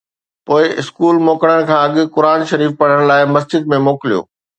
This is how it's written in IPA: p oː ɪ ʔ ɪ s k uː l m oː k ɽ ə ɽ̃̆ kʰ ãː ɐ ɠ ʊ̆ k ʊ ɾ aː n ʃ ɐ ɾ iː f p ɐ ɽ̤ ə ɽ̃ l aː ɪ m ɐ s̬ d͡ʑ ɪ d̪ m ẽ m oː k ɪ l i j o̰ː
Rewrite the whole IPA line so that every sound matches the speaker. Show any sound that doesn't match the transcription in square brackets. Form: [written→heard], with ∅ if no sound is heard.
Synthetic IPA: p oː ɪ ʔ ɪ s k uː l m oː k ɽ ə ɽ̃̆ kʰ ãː ɐ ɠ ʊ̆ k ʊ ɾ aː n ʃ ɐ ɾ iː f p ɐ ɽ̤ ə ɽ̃ l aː ɪ m ɐ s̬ d͡ʑ ɪ d̪ m ẽ m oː k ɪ l i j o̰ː